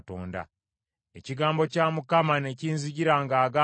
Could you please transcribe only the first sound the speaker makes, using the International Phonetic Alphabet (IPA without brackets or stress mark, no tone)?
t